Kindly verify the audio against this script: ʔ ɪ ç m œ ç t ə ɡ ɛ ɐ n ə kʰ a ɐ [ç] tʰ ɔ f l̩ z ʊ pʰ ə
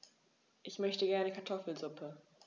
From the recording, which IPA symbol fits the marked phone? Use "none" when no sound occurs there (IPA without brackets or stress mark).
none